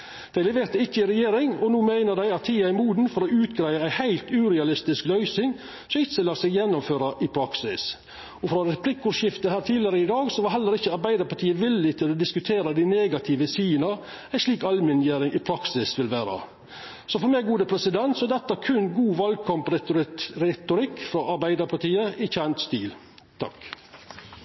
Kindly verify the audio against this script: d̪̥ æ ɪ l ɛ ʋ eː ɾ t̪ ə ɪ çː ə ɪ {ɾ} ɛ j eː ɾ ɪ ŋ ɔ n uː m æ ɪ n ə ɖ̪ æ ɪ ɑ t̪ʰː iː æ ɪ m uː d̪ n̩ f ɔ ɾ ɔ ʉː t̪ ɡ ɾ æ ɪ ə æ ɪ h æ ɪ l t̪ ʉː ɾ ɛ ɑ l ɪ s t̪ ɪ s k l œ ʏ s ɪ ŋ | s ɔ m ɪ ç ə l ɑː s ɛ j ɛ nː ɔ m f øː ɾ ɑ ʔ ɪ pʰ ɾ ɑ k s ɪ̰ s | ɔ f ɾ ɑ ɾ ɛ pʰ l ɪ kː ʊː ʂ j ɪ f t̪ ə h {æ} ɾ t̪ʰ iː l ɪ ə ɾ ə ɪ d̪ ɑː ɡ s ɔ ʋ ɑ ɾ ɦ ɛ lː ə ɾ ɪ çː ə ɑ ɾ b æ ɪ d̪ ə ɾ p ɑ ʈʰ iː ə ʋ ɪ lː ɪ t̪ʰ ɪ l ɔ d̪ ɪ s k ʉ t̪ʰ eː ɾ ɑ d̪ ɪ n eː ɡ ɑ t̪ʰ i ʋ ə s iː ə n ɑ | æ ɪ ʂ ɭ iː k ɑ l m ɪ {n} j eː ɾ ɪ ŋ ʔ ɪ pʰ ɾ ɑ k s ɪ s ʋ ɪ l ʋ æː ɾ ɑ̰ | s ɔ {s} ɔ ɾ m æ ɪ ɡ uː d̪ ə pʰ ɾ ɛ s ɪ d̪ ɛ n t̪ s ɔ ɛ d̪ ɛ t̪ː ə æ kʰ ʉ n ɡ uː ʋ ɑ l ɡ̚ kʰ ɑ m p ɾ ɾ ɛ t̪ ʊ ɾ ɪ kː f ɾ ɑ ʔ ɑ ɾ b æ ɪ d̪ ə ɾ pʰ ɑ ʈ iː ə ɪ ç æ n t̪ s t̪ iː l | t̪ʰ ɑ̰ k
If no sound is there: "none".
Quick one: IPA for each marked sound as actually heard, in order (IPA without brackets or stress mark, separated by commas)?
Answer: ɾ, æː, n, f